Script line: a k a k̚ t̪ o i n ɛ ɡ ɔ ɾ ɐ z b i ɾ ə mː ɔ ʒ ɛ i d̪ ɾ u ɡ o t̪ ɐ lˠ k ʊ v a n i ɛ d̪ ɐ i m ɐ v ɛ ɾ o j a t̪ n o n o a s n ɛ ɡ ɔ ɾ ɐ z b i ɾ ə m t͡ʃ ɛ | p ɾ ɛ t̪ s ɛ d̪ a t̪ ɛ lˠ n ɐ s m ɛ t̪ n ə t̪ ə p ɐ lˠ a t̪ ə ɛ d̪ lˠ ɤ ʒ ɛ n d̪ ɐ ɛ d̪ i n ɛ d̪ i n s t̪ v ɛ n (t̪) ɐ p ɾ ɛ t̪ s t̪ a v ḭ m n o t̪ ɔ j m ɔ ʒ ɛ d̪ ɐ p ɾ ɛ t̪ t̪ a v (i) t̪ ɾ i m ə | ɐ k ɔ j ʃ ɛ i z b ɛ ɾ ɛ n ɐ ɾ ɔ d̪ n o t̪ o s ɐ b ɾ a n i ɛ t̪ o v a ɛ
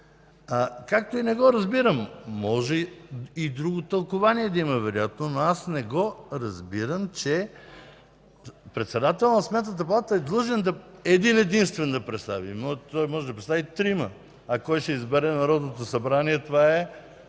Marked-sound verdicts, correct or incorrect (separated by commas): incorrect, correct